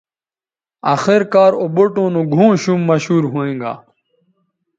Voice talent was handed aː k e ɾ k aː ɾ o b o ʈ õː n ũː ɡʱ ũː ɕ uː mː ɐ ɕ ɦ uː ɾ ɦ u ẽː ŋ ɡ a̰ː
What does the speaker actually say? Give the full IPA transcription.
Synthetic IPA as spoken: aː x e ɾ k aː ɾ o b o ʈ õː n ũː ɡʱ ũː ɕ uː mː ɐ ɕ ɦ uː ɾ ɦ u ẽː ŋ ɡ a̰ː